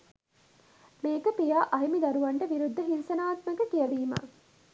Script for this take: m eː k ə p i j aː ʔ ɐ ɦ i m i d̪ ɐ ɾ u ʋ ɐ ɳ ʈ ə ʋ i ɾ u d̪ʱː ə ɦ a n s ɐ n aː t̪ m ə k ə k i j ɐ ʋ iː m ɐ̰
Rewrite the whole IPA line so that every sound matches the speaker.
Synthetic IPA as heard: m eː k ə p i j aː ʔ ɐ ɦ i m i d̪ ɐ ɾ u ʋ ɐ ɳ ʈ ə ʋ i ɾ u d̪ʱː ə ɦ i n s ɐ n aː t̪ m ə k ə k i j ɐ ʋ iː m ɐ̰